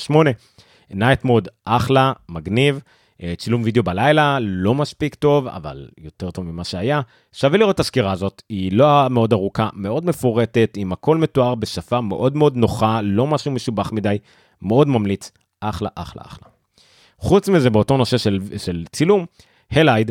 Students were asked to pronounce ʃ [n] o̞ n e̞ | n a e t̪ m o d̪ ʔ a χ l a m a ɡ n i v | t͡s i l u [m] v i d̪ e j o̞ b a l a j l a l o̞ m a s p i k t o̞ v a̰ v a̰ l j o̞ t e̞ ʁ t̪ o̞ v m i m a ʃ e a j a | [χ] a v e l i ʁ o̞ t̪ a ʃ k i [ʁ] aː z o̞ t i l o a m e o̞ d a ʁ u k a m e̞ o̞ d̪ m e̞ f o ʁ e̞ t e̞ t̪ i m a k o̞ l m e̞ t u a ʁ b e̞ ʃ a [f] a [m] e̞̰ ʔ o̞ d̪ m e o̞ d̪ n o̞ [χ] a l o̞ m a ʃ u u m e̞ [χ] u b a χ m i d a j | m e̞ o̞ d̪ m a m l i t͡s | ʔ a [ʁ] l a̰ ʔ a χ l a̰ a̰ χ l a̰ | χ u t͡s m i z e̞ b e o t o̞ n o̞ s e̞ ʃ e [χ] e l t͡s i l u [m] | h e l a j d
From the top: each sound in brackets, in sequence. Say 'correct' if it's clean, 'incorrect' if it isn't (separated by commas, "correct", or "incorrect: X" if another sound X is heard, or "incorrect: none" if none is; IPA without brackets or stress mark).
incorrect: m, correct, incorrect: ʃ, correct, correct, correct, correct, incorrect: ʃ, incorrect: χ, incorrect: ʃ, correct